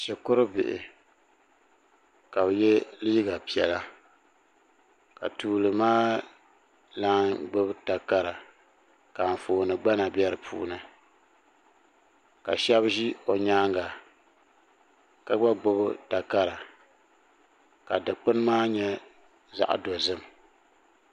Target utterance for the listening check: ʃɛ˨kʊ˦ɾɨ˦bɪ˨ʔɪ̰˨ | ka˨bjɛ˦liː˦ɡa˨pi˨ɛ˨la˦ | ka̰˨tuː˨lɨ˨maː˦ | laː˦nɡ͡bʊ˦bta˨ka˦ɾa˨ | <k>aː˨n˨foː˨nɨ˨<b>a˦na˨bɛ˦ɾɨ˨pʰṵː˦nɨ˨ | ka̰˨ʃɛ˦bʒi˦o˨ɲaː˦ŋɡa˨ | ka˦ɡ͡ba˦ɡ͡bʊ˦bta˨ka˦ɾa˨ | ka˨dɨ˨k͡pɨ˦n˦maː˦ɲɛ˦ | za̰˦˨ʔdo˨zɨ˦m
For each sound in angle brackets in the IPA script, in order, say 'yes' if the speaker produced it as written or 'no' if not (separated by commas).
yes, no